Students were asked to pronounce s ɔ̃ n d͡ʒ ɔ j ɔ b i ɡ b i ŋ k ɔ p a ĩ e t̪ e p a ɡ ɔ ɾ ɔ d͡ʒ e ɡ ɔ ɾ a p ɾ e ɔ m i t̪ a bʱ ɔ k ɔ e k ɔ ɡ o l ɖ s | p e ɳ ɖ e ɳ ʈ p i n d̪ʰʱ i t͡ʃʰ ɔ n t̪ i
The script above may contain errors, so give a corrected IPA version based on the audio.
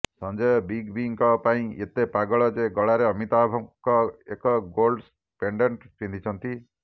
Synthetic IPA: s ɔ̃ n d͡ʒ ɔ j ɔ b i ɡ b i ŋ k ɔ p a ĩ e t̪ e p a ɡ ɔ ɭ ɔ d͡ʒ e ɡ ɔ ɭ a ɾ e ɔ m i t̪ a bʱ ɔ k ɔ e k ɔ ɡ o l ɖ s | p e ɳ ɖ e ɳ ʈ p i n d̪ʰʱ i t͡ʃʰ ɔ n t̪ i